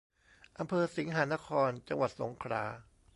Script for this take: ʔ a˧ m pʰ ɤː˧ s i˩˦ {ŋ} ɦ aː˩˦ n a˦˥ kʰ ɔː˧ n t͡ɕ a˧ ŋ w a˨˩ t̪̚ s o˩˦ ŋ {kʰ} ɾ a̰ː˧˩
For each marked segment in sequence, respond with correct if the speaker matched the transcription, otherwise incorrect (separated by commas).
correct, correct